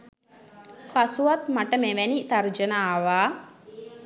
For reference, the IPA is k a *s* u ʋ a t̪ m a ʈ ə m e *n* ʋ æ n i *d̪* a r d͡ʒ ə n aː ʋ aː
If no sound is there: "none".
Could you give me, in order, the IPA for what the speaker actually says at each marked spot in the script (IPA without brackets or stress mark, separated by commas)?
s, none, t̪